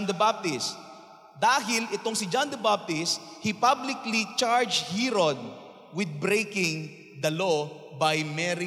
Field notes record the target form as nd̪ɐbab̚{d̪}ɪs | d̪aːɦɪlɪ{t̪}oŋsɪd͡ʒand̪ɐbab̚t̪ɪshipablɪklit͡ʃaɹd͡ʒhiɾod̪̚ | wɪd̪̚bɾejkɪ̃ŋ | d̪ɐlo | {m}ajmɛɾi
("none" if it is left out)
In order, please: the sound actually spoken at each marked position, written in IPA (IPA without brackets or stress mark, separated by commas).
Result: t̪, t̪, b